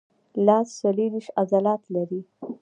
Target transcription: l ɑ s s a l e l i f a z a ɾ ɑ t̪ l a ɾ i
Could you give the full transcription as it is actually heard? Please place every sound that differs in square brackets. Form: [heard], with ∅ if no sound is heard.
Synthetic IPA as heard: l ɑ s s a l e [ɾ] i [ʃ] a z a [l] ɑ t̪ l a ɾ i